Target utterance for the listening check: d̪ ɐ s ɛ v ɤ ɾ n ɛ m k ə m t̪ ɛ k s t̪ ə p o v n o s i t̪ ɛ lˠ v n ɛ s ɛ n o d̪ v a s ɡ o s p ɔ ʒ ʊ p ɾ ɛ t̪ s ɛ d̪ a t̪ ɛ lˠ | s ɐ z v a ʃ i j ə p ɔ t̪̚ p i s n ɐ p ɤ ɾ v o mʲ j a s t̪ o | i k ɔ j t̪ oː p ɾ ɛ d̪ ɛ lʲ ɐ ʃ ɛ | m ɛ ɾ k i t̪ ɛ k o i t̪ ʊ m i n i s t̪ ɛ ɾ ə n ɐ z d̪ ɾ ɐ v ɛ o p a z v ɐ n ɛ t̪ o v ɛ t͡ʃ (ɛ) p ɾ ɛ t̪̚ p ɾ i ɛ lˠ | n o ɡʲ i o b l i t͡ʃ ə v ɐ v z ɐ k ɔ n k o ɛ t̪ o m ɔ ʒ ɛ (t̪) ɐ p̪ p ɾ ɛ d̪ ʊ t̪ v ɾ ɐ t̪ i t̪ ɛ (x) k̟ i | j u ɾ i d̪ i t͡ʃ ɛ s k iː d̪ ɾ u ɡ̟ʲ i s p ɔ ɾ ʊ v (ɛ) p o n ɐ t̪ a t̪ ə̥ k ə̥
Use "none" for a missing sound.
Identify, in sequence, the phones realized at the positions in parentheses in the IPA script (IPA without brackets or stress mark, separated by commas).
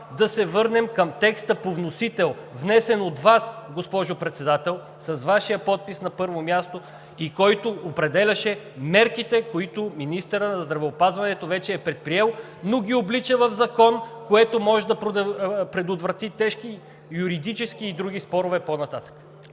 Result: ɛː, d̪, ʃ, ɛ